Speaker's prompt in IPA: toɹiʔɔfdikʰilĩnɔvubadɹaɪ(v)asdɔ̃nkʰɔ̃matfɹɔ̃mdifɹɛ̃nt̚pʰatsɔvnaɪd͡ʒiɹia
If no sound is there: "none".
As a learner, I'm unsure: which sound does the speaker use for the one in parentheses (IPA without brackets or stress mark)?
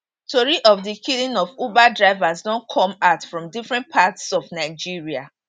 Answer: v